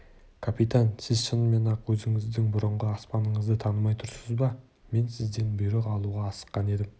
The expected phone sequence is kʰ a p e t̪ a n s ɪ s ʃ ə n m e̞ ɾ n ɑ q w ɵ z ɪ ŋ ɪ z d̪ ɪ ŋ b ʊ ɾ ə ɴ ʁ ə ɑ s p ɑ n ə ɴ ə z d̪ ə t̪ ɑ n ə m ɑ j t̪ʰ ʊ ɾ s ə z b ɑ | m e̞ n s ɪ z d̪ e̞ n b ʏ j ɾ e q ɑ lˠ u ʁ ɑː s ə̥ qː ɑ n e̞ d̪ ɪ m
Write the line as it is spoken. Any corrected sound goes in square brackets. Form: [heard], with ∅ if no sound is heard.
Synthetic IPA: kʰ a p [i] t̪ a n s ɪ [z] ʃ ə n m e̞ [∅] n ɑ q w ɵ z ɪ ŋ ɪ z d̪ ɪ ŋ b ʊ ɾ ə ɴ ʁ ə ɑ s p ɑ n ə ɴ ə z d̪ ə [t̪ʰ] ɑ n ə m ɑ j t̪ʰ ʊ ɾ s ə z b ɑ | m e̞ n s ɪ z d̪ e̞ n b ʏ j ɾ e q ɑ lˠ u ʁ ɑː s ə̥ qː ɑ n e̞ d̪ ɪ m